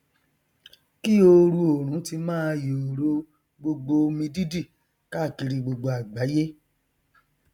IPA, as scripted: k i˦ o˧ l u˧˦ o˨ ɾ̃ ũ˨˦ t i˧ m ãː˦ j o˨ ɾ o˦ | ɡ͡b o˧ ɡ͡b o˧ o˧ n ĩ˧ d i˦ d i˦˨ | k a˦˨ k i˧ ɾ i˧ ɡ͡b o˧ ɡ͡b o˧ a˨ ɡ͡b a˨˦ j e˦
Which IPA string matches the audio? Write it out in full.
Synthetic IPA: k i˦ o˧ ɾ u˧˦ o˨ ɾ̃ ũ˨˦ t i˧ m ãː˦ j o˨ ɾ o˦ | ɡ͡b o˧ ɡ͡b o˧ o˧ m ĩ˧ d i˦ d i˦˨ | k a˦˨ k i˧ ɾ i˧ ɡ͡b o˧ ɡ͡b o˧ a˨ ɡ͡b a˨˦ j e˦